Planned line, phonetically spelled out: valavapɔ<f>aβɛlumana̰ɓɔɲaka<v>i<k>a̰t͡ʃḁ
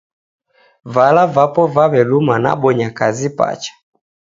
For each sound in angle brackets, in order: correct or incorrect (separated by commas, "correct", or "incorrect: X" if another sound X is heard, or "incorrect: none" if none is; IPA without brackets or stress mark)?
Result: incorrect: v, incorrect: z, incorrect: p